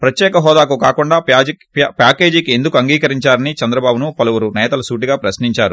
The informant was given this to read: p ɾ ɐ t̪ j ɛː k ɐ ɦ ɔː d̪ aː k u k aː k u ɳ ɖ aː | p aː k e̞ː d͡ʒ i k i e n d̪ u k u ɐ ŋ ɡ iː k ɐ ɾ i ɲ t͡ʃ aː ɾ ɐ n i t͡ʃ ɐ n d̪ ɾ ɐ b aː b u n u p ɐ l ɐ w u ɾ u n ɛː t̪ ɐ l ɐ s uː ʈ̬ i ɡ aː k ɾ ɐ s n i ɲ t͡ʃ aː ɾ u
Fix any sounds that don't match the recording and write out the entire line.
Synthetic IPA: p ɾ ɐ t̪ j ɛː k ɐ ɦ ɔː d̪ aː k u k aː k u ɳ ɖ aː | p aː k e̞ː d͡ʒ i k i e n d̪ u k u ɐ ŋ ɡ iː k ɐ ɾ i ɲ t͡ʃ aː ɾ ɐ n i t͡ʃ ɐ n d̪ ɾ ɐ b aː b u n u p ɐ l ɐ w u ɾ u n ɛː t̪ ɐ l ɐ s uː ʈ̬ i ɡ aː p ɾ ɐ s n i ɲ t͡ʃ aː ɾ u